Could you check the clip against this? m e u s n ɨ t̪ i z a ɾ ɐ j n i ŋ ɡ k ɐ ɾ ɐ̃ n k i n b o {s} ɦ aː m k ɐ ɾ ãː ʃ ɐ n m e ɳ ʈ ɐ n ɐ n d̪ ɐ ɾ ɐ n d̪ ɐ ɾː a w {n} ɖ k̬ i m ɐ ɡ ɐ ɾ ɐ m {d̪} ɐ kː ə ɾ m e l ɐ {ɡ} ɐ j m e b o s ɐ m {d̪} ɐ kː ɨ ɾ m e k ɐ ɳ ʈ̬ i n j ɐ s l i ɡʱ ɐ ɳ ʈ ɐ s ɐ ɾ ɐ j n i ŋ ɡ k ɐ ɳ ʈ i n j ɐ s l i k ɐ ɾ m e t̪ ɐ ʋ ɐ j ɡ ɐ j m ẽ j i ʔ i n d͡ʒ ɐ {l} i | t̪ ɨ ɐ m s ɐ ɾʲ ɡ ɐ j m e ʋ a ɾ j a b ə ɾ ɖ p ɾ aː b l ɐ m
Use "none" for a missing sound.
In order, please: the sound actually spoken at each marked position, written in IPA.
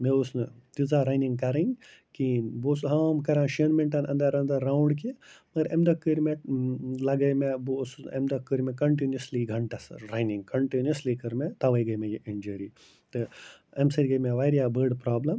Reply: s, ɳ, d̪, ɡ, d̪, ɾ

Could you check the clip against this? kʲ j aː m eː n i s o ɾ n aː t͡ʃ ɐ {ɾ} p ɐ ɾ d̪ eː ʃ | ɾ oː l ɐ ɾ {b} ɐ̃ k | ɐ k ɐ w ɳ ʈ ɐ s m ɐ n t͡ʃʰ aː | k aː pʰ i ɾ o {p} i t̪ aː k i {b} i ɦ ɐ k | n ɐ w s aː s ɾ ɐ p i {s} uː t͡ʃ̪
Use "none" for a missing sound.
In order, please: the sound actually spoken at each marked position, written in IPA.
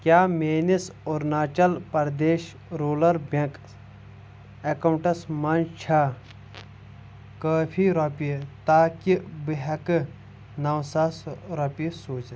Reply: l, b, p, b, s

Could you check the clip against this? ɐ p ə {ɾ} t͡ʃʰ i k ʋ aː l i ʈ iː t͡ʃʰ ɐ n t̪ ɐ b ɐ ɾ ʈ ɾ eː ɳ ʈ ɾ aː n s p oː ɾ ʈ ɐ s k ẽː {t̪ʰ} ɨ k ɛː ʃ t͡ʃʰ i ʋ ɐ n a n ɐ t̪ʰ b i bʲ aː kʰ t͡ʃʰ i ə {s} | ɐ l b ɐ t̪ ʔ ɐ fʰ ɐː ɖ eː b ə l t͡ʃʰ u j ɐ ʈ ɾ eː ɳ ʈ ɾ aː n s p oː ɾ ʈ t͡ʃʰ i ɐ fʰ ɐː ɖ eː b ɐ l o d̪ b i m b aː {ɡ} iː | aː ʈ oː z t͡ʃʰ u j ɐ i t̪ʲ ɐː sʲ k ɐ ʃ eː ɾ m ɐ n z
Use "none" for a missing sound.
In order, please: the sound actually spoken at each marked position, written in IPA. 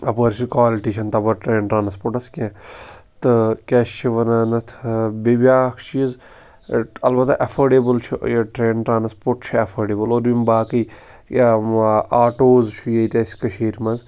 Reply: ɾ, t̪, z, k

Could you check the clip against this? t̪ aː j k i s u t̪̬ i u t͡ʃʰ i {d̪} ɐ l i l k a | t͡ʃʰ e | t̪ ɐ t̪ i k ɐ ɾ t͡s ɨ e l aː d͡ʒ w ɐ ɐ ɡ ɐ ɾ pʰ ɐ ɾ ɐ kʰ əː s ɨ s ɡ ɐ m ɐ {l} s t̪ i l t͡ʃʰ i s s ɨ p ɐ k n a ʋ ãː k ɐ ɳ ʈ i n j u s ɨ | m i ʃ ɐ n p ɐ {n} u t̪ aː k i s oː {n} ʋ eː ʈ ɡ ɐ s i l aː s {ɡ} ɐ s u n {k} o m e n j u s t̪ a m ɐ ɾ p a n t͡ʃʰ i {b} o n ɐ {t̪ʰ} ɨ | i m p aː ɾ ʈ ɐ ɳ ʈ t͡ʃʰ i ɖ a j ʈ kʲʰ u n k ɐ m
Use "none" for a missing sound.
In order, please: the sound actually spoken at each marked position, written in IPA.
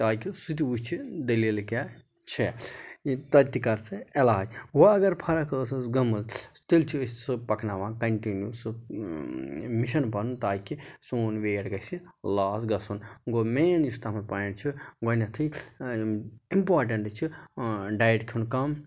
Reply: d̪, l, n, n, ɡ, ɡ, ɡ, t̪ʰ

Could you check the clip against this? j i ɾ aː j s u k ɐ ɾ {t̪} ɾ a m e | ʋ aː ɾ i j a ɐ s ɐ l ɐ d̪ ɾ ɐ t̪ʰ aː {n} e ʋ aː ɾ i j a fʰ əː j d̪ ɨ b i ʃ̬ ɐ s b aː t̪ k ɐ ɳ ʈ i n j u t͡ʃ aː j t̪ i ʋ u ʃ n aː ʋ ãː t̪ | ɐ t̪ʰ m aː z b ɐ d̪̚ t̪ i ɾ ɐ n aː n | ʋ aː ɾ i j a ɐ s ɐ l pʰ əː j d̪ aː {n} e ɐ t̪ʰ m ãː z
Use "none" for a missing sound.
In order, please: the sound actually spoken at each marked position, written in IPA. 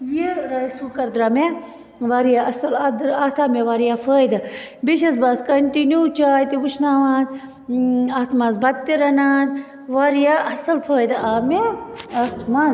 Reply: d̪, m, m

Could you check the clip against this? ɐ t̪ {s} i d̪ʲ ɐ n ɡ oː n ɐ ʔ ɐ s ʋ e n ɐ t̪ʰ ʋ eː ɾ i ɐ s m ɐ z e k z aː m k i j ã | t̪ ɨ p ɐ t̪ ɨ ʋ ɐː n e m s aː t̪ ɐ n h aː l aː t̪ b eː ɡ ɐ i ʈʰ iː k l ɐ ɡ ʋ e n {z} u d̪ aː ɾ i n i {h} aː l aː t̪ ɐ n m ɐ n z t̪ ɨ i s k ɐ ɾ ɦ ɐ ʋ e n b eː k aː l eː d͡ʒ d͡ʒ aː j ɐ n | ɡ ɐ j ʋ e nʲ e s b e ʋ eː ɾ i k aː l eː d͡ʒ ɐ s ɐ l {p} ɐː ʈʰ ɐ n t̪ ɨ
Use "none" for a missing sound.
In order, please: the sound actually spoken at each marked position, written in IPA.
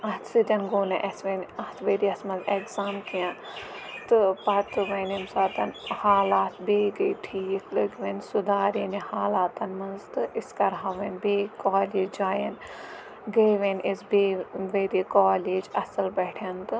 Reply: s, s, h, b

